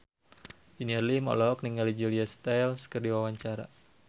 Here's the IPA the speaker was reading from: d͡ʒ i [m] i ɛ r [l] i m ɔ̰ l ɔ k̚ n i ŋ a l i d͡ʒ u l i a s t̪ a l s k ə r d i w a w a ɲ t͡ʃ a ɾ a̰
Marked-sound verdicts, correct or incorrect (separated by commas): incorrect, correct